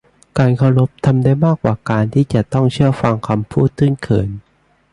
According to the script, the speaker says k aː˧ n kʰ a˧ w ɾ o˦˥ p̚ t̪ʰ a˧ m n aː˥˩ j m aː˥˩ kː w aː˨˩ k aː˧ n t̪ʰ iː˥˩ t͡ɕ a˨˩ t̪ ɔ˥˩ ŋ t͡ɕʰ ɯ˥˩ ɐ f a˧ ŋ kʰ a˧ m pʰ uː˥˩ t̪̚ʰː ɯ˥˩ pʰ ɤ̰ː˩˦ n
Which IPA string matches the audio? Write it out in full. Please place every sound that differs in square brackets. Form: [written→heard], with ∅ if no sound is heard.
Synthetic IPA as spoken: k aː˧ n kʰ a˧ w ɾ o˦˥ p̚ t̪ʰ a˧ m [n→d] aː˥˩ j m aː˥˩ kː w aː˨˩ k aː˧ n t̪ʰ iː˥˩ t͡ɕ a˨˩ t̪ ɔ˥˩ ŋ t͡ɕʰ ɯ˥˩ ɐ f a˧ ŋ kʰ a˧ m pʰ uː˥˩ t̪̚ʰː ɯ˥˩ [pʰ→kʰ] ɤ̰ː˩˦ n